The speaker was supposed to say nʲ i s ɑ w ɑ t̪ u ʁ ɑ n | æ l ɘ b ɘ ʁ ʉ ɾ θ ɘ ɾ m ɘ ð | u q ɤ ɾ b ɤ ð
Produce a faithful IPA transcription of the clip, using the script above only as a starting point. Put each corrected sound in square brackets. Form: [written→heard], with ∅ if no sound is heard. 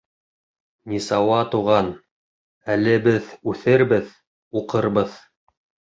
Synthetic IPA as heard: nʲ i s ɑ w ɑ t̪ u ʁ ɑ n | æ l ɘ b ɘ [ʁ→ð] ʉ [ɾ→∅] θ ɘ ɾ [m→b] ɘ ð | u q ɤ ɾ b ɤ ð